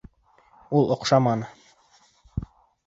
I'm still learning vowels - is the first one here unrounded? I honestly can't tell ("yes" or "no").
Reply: no